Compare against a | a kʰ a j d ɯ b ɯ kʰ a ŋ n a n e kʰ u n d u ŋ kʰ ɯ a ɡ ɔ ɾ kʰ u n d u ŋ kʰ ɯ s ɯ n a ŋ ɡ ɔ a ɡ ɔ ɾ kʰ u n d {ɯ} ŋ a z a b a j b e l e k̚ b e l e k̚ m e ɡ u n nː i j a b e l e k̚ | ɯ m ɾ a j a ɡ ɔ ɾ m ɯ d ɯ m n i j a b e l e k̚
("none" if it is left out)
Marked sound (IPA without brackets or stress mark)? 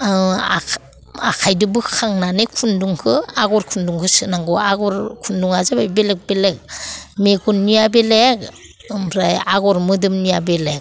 u